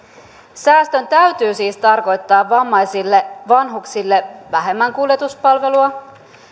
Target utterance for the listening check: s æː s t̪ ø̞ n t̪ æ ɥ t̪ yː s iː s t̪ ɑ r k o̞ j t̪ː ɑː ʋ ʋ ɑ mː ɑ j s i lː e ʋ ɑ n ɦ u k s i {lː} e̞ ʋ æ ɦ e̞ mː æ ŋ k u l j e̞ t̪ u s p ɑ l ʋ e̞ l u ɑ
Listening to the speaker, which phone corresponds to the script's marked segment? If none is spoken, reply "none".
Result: lː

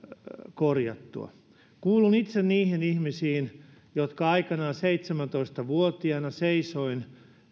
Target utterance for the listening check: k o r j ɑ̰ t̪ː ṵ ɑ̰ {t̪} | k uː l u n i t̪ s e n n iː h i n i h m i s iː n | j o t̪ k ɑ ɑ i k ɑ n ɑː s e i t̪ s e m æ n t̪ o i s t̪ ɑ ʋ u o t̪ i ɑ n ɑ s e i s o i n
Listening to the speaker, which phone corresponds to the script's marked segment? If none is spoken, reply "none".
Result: none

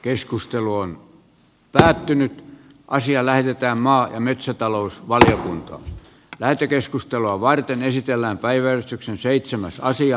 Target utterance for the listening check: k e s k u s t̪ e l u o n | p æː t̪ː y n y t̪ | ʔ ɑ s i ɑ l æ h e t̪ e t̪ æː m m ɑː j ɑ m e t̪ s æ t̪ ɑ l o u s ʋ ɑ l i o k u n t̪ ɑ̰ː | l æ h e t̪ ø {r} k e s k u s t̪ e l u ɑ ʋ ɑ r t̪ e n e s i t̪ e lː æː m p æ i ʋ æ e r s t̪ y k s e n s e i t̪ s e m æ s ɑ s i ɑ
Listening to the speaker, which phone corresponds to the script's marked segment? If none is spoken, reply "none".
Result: none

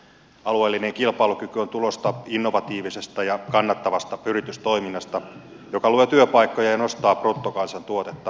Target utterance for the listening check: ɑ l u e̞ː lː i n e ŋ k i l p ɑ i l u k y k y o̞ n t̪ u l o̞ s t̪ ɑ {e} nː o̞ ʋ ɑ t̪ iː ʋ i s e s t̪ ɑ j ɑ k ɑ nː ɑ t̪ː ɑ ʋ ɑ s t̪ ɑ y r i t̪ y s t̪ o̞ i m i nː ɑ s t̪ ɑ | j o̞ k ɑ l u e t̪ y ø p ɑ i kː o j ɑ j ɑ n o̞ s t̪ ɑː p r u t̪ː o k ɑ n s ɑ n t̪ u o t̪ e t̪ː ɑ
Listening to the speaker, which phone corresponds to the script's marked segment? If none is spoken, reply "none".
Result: i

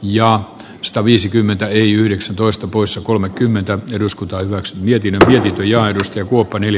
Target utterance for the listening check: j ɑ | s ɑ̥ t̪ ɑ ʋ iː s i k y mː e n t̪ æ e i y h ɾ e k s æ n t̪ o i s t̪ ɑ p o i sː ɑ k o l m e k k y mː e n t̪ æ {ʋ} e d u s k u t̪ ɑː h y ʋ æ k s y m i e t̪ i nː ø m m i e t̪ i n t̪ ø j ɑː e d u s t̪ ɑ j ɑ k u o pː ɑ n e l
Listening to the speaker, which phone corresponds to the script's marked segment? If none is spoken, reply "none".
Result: none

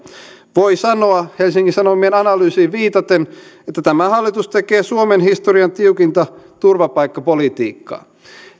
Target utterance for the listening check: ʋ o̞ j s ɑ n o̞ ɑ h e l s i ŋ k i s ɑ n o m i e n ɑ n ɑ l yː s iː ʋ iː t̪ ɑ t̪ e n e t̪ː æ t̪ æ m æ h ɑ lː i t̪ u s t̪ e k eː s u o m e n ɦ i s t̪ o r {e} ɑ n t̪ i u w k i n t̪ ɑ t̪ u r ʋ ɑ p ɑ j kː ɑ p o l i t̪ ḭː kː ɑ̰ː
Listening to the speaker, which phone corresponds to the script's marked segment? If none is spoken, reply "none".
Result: i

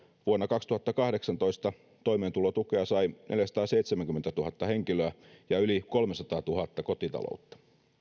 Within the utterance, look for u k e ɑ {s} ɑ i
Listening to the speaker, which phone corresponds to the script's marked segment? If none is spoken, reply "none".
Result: s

